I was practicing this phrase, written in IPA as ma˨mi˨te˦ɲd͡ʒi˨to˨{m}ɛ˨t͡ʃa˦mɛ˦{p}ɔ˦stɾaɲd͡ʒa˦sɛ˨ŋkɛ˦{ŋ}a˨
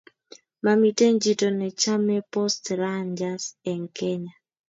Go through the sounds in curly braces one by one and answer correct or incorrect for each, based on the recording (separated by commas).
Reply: incorrect, correct, incorrect